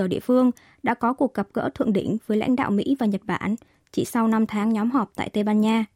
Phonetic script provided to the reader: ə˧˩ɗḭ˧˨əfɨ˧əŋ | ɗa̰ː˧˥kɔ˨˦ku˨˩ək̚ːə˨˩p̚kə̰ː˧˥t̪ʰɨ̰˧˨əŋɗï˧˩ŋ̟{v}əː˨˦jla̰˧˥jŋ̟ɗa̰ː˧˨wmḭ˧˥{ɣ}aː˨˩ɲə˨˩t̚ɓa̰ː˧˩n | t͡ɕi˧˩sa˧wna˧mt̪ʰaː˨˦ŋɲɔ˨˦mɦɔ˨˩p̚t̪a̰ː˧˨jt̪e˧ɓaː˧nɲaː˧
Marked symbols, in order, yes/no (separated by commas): yes, no